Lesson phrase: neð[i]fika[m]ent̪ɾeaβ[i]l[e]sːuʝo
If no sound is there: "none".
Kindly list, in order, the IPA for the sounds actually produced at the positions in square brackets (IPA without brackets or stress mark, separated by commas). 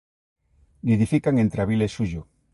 i, ŋ, i, e